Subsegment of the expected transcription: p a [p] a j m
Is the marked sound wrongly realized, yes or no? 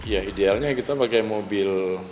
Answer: yes